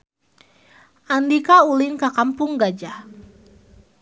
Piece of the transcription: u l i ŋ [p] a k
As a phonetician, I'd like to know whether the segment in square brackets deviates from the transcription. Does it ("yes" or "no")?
yes